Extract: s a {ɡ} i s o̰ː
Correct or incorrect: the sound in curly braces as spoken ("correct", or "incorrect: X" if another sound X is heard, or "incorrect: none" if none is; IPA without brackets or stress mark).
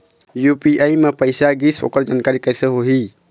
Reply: correct